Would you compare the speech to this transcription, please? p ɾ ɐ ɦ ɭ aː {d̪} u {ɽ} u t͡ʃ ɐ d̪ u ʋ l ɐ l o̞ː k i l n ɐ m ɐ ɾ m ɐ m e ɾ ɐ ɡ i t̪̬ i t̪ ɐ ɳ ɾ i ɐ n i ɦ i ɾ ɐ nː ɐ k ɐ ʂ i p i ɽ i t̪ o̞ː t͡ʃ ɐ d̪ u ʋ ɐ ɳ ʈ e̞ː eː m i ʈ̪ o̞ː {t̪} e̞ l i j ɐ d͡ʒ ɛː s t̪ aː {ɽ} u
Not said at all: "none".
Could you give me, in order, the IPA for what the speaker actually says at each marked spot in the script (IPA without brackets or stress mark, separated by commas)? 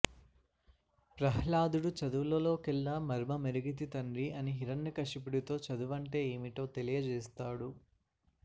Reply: d̪, ɽ, t̪, ɽ